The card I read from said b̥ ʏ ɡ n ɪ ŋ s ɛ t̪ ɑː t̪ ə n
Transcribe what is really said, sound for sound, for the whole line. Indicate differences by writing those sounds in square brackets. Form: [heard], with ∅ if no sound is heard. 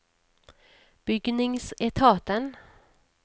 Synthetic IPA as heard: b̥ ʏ ɡ n ɪ ŋ s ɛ [t̪ʰ] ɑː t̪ ə n

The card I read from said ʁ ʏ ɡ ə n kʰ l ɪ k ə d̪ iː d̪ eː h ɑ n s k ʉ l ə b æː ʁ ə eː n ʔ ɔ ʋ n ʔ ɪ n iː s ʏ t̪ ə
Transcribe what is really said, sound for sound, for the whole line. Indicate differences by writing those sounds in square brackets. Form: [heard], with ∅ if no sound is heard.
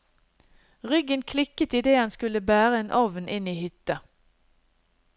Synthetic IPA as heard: ʁ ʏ ɡ ə n kʰ l ɪ k ə [t̪] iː d̪ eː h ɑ n s k ʉ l ə b æː ʁ ə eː n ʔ ɔ ʋ n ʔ ɪ n iː [h] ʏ t̪ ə

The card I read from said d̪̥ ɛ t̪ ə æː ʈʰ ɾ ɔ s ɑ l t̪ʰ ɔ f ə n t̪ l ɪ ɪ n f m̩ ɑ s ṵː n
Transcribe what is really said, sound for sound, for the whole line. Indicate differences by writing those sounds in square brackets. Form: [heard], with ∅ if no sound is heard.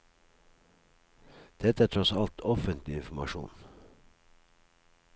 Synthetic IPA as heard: d̪̥ ɛ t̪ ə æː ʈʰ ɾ ɔ s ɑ l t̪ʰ ɔ f ə n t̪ l ɪ ɪ n f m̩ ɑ [ʃ] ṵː n

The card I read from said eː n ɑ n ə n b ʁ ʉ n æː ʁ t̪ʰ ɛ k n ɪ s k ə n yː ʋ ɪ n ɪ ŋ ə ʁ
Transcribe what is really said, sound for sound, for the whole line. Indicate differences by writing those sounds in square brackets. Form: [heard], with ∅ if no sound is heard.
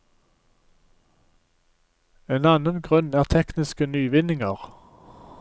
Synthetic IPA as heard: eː n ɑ n ə n [ɡ] ʁ ʉ n æː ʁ t̪ʰ ɛ k n ɪ s k ə n yː ʋ ɪ n ɪ ŋ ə ʁ

